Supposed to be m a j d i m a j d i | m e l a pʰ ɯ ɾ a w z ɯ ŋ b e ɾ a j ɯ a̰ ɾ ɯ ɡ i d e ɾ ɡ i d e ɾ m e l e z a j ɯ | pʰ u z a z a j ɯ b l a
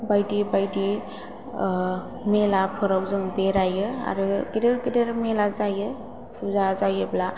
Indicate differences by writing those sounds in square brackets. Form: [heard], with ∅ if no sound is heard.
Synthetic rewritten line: [b] a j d i [b] a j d i | m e l a pʰ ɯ ɾ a w z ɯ ŋ b e ɾ a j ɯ a̰ ɾ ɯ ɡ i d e ɾ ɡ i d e ɾ m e l [a] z a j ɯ | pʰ u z a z a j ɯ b l a